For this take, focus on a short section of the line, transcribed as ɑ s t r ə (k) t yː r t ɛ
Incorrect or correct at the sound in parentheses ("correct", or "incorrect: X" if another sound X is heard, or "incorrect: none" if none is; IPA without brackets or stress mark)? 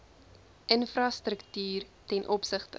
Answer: correct